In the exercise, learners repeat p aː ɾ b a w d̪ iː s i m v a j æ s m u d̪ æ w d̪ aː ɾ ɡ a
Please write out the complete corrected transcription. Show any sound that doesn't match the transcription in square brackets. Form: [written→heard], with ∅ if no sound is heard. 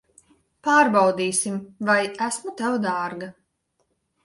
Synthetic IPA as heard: p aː ɾ b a w d̪ iː s i m v a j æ s m u [d̪→t̪] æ w d̪ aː ɾ ɡ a